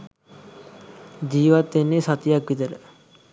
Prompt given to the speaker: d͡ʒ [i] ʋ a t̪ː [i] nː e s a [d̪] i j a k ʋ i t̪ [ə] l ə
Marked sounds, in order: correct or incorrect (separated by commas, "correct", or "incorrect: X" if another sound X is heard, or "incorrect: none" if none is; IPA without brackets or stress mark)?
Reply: incorrect: iː, incorrect: e, incorrect: t̪, correct